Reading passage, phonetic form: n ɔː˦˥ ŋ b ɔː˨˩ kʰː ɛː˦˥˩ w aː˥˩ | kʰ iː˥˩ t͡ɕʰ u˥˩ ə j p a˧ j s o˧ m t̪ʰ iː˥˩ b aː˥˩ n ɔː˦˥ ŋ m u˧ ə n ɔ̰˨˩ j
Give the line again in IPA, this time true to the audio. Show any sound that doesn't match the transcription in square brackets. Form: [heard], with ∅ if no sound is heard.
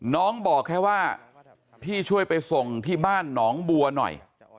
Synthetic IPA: n ɔː˦˥ ŋ b ɔː˨˩ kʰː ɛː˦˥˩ w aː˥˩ | [pʰ] iː˥˩ t͡ɕʰ u˥˩ ə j p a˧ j s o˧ [ŋ] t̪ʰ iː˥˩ b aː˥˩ [nː] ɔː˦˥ ŋ [b] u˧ [ɐ] n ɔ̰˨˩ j